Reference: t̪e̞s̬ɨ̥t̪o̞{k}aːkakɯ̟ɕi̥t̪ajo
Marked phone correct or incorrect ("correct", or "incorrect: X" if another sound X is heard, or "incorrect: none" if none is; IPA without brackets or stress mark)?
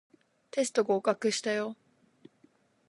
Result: incorrect: ɡ